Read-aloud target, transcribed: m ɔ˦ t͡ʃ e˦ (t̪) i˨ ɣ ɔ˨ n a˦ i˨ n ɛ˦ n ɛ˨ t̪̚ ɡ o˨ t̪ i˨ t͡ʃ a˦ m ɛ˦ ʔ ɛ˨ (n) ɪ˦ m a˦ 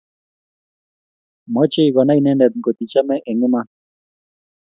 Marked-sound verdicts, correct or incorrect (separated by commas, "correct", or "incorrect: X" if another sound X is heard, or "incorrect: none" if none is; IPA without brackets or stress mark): incorrect: none, incorrect: ŋ